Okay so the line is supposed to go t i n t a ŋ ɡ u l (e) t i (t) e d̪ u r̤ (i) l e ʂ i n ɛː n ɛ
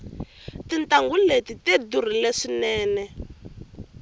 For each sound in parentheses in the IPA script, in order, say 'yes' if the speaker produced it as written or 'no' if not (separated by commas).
yes, yes, yes